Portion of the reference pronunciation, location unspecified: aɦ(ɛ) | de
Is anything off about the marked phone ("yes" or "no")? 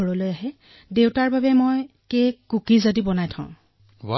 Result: no